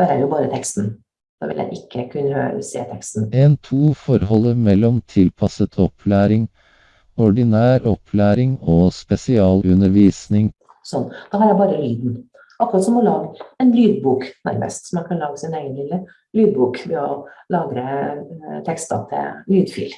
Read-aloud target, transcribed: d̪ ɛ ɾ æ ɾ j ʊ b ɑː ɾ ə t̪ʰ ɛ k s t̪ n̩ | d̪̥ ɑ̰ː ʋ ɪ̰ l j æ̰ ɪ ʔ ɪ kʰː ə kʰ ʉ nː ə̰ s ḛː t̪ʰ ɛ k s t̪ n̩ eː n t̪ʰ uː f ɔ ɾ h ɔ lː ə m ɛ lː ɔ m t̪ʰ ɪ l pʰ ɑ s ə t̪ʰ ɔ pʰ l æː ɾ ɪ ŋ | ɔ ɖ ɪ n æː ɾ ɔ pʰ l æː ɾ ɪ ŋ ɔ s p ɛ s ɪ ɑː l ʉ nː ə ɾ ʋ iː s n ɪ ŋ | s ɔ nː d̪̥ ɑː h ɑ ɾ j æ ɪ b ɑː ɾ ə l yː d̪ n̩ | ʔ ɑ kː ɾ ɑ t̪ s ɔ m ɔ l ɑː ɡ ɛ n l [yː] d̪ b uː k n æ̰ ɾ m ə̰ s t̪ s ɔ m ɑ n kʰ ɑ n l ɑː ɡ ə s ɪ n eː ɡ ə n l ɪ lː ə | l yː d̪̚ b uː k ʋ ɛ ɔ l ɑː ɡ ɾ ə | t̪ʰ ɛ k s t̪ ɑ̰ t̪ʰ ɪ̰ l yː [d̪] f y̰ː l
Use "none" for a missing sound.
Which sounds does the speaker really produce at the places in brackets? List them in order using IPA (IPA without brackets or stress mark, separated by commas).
yː, d̪